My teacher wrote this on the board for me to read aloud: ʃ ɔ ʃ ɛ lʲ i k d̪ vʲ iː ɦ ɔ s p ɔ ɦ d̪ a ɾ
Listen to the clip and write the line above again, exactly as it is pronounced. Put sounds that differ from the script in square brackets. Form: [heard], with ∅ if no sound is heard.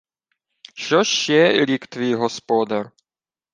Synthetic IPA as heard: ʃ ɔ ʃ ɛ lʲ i k [t̪] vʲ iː ɦ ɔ s p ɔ [∅] d̪ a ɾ